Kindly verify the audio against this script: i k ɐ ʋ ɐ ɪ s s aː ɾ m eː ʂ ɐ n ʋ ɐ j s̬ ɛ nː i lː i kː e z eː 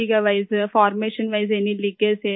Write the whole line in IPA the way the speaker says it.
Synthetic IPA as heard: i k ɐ ʋ ɐ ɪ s f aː ɾ m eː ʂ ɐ n ʋ ɐ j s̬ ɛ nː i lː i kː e s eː